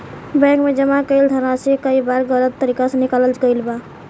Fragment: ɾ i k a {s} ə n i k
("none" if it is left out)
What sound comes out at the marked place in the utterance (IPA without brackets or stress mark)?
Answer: s